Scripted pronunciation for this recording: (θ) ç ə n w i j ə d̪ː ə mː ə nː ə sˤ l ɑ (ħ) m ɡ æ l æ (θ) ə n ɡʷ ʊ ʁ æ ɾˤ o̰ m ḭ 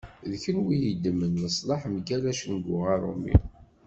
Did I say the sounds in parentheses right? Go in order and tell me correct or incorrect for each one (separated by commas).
incorrect, correct, incorrect